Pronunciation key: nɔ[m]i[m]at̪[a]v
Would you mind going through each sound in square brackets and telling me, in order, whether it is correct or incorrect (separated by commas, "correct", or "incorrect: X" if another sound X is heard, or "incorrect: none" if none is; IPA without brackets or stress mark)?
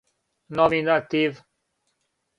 correct, incorrect: n, incorrect: i